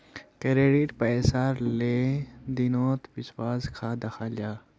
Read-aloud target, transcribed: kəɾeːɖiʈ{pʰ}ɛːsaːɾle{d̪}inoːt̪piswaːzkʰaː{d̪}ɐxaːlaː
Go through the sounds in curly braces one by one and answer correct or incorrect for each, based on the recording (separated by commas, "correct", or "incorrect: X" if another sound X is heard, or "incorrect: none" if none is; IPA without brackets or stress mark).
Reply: incorrect: p, correct, correct